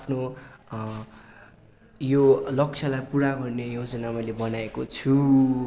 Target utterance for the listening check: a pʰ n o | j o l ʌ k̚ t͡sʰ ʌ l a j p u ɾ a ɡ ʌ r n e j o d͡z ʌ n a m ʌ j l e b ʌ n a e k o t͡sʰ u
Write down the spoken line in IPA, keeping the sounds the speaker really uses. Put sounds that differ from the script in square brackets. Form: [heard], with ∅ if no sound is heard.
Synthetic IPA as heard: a pʰ n o | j o l ʌ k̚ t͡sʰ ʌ l a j p u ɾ a ɡ ʌ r n e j o d͡z ʌ n a m ʌ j l e b ʌ n a e k o t͡sʰ u